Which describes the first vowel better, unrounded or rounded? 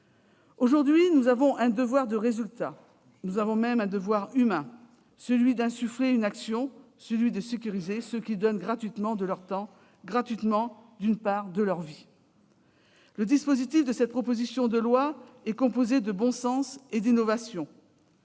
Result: rounded